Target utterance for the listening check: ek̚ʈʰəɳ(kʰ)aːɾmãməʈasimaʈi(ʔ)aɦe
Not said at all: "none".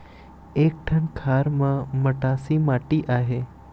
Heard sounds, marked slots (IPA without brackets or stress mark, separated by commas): kʰ, ʔ